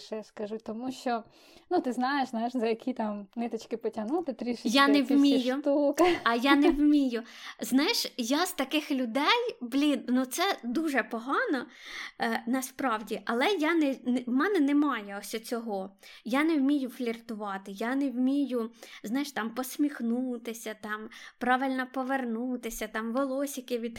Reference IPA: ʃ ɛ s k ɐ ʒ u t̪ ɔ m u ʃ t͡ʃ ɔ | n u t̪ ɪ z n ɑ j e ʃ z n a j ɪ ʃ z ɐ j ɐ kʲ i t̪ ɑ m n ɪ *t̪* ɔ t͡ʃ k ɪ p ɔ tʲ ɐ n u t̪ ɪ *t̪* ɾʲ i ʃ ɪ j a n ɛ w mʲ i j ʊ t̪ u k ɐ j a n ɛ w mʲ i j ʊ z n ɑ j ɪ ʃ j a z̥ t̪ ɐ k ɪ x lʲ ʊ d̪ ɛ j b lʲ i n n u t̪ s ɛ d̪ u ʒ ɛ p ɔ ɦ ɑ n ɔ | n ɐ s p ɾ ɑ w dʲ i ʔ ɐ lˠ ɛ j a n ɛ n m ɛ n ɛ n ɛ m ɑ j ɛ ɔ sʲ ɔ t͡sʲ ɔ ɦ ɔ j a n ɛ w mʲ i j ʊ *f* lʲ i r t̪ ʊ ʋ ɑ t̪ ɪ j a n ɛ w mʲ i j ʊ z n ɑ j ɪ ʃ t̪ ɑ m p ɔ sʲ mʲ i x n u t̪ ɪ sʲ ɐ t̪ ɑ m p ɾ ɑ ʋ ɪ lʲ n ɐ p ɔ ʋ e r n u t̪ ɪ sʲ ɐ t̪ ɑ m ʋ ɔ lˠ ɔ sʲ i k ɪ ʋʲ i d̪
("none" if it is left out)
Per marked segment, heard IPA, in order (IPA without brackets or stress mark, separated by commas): t̪, t̪, f